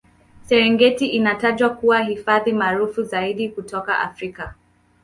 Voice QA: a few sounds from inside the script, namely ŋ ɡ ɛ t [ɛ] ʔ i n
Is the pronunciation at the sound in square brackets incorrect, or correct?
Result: incorrect